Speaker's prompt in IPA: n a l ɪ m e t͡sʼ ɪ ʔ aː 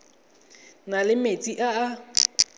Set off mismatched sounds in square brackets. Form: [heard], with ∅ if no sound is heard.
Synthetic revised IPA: n a l ɪ m e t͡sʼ [i] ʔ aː